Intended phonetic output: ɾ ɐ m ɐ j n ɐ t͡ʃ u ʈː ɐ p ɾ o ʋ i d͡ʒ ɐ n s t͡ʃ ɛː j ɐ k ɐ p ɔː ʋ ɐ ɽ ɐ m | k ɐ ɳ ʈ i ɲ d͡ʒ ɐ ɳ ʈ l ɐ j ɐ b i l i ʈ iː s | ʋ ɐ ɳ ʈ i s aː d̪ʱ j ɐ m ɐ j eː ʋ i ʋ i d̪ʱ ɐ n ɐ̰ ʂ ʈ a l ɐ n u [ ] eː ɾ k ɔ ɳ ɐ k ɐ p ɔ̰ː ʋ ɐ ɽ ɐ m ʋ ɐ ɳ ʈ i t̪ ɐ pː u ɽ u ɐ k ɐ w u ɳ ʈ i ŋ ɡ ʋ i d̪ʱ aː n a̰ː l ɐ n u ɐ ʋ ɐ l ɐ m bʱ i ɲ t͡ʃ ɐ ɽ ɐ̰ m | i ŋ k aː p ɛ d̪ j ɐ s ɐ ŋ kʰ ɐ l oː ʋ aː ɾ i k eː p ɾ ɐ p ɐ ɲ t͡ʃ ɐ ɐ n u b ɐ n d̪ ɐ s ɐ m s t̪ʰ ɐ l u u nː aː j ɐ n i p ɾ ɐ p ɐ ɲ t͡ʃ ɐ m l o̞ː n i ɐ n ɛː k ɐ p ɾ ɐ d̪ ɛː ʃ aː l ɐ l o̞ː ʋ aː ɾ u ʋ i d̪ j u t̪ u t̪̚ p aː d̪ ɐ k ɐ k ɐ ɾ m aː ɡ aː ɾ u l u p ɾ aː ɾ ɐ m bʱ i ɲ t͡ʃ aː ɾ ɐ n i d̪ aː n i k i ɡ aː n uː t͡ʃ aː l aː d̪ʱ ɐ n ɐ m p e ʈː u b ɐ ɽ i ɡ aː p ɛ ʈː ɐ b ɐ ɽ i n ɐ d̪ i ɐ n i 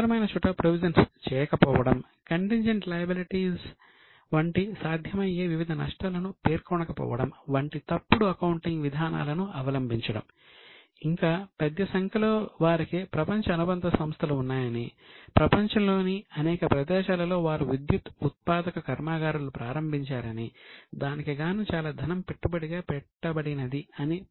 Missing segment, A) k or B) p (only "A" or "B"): B